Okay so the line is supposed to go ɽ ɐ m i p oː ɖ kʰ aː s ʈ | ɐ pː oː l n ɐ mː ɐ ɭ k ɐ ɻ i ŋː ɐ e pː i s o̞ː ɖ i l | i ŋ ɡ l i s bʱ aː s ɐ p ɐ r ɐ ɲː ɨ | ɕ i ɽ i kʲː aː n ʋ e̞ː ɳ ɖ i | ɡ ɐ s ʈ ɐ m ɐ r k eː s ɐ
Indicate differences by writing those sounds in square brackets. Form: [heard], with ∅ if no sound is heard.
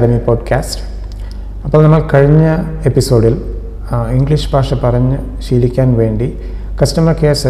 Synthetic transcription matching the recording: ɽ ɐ m i p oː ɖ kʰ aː s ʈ | ɐ pː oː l n ɐ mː ɐ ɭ k ɐ ɻ i [ɲː] ɐ e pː i s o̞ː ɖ i l | i ŋ ɡ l i [ʂ] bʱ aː [ʂ] ɐ p ɐ r ɐ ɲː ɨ | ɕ [iː] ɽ i kʲː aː n ʋ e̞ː ɳ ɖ i | [k] ɐ s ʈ ɐ m ɐ r k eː s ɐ